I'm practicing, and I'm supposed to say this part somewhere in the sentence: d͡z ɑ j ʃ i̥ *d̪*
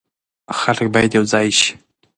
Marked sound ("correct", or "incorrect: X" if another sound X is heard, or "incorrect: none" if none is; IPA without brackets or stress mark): incorrect: none